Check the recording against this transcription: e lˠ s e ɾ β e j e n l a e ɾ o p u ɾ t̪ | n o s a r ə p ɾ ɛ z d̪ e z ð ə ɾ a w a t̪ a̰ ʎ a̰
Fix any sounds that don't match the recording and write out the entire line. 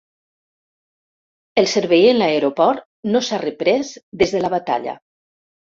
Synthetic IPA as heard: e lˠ s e ɾ β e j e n l a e ɾ o p ɔ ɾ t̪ | n o s a r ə p ɾ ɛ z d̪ e z ð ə l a β a t̪ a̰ ʎ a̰